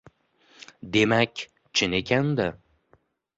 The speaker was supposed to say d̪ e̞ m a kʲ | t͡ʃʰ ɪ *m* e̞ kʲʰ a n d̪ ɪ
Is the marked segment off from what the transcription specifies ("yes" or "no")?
yes